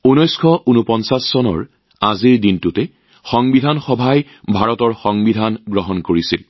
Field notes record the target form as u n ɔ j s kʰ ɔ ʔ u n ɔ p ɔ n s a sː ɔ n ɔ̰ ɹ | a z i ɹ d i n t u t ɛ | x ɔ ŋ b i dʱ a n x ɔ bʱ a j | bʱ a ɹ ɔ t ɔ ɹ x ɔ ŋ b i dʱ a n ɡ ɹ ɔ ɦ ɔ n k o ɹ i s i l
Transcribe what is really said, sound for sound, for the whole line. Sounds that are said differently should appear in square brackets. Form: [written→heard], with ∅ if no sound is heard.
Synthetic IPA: u n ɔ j s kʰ ɔ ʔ u n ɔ p ɔ n s a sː ɔ n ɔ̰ ɹ | a z i ɹ d i n t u t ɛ | x ɔ ŋ b i dʱ a n x ɔ bʱ a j | bʱ a ɹ ɔ t ɔ ɹ x ɔ ŋ b i dʱ a n ɡ ɹ ɔ ɦ ɔ n k o ɹ i s i l

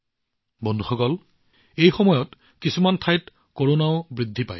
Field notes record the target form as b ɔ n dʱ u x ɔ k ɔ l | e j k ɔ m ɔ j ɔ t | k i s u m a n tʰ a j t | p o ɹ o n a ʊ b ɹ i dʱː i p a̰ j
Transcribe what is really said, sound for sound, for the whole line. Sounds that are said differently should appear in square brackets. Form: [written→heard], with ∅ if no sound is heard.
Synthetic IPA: b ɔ n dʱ u x ɔ k ɔ l | e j [k→x] ɔ m ɔ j ɔ t | k i s u m a n tʰ a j t | [p→k] o ɹ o n a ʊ b ɹ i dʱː i p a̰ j

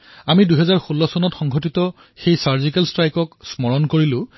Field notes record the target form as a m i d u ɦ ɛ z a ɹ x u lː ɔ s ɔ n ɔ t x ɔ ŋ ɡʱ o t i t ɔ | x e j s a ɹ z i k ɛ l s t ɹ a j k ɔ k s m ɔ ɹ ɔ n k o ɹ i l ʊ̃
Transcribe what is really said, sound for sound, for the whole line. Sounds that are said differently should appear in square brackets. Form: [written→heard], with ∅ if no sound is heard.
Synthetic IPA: a m i d u ɦ ɛ z a ɹ x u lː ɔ s ɔ n ɔ t x ɔ ŋ ɡʱ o t i t ɔ | x e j s a ɹ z i k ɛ l s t ɹ a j k ɔ k s m ɔ ɹ ɔ n k o ɹ i l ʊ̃

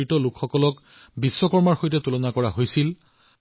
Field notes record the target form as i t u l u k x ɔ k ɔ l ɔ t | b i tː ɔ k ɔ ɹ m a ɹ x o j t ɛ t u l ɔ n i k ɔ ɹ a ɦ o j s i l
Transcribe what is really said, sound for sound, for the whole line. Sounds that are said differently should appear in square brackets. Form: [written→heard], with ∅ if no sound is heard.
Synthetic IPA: i t [u→ɔ] l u k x ɔ k ɔ l ɔ [t→k] | b i [tː→sː] ɔ k ɔ ɹ m a ɹ x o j t ɛ t u l ɔ n [i→a] k ɔ ɹ a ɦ o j s i l

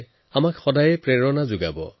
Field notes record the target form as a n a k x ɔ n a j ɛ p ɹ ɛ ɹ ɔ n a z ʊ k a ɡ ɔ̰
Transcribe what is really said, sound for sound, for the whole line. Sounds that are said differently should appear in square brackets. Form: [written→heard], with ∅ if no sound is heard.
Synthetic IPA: a [n→m] a k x ɔ [n→d] a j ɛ p ɹ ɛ ɹ ɔ n a z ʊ [k→ɡ] a [ɡ→b] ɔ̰

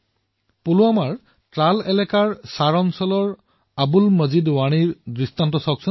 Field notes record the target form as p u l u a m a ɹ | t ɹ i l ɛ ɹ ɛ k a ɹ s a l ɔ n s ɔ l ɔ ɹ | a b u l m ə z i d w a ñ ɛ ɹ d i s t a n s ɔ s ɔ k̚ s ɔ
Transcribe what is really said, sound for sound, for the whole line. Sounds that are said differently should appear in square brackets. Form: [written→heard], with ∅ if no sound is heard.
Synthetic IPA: p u l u a m a ɹ | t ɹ [i→a] l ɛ [ɹ→l] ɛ k a ɹ s a [l→ɹ] ɔ n s ɔ l ɔ ɹ | a b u l m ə z i d w a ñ [ɛ→i] ɹ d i s t a n [s→t] ɔ s ɔ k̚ s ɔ

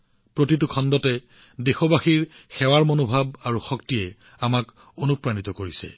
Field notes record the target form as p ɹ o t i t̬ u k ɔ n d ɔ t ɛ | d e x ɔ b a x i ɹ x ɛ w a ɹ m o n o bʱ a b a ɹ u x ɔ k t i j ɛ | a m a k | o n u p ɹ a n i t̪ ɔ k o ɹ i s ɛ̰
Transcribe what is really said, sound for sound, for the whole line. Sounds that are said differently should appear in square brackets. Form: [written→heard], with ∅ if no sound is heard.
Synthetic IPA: p ɹ o t i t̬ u [k→kʰ] ɔ n d ɔ t ɛ | d e x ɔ b a x i ɹ x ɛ w a ɹ m o n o bʱ a b a ɹ u x ɔ k t i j ɛ | a m a k | o n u p ɹ a n i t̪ ɔ k o ɹ i s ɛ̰

